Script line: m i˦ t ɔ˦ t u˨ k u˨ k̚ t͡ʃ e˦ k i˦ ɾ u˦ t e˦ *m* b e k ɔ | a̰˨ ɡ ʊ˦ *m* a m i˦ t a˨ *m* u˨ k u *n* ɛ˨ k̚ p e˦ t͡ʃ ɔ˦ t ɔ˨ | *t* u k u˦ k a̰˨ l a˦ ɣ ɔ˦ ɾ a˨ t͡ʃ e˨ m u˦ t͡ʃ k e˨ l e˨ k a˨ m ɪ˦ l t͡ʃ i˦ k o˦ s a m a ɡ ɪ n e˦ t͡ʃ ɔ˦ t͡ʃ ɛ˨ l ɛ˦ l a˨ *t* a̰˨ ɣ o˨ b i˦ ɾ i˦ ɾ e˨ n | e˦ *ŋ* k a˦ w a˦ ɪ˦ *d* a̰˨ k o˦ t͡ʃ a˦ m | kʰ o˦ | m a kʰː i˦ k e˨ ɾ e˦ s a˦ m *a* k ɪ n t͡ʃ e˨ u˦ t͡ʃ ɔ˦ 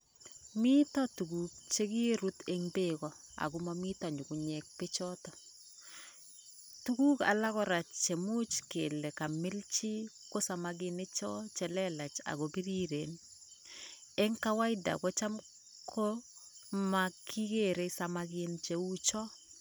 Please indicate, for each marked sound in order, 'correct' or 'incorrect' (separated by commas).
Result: incorrect, correct, incorrect, incorrect, correct, incorrect, correct, correct, correct